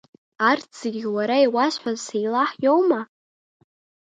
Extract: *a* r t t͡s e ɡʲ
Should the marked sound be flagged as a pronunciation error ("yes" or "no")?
no